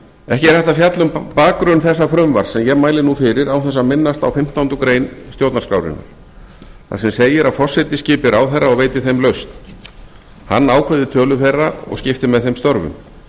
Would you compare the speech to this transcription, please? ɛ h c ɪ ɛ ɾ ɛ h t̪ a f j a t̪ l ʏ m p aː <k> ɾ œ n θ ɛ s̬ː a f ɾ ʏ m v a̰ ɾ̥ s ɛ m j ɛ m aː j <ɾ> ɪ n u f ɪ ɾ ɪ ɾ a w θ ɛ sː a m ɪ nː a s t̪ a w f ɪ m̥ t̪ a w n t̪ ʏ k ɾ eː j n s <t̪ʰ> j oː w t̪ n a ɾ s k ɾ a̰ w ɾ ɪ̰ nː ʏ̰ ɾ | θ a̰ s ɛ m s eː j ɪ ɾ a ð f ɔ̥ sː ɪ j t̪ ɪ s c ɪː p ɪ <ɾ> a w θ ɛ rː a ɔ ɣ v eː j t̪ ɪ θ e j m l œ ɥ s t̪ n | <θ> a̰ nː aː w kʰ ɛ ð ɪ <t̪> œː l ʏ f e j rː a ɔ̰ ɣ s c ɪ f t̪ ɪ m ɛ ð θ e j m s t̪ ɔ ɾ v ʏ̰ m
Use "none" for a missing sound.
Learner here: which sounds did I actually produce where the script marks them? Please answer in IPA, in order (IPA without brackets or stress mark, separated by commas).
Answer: k, l, t̪, ɾ, h, t̪ʰ